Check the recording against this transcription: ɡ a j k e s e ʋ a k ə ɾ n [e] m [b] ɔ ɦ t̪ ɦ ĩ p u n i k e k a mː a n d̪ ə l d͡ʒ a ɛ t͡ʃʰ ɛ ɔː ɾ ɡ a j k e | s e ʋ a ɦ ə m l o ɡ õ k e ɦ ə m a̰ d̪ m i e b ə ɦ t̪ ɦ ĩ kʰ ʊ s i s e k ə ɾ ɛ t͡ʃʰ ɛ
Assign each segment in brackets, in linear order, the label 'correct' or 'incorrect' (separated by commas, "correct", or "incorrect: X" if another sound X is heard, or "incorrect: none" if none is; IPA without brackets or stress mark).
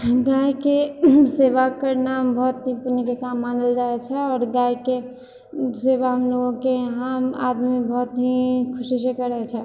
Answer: incorrect: a, correct